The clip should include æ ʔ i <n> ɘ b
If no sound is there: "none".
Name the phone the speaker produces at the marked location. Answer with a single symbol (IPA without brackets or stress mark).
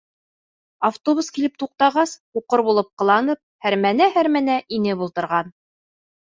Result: n